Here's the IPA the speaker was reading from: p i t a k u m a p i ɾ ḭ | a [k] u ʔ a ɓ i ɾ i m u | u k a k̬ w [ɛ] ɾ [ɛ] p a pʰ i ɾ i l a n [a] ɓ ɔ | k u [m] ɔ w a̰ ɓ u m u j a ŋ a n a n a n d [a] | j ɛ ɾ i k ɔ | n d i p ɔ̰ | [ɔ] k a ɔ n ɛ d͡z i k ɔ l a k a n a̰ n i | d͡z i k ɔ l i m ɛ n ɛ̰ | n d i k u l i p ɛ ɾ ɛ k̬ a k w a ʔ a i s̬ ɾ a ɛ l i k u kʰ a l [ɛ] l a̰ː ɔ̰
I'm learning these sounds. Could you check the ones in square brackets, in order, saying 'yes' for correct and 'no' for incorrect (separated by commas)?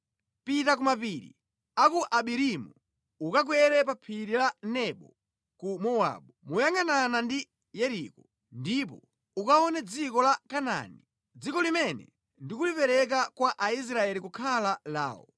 yes, yes, yes, no, yes, no, no, no